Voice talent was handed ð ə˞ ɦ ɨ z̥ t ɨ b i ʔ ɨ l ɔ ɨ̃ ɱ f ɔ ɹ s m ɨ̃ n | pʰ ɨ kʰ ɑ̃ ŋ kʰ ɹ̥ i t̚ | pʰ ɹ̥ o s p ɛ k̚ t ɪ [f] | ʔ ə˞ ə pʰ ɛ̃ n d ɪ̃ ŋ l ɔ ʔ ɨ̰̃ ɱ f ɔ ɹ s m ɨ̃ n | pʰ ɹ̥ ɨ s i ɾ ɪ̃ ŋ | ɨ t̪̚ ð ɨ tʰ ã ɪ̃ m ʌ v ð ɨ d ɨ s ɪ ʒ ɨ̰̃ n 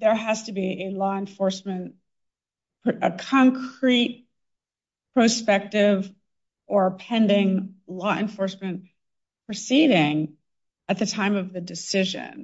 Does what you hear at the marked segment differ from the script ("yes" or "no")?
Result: yes